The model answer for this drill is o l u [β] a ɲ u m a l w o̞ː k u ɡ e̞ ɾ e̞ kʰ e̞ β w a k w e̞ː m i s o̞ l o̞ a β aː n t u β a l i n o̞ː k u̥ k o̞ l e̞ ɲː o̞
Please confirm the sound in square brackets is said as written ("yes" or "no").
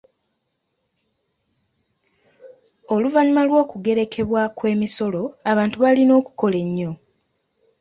no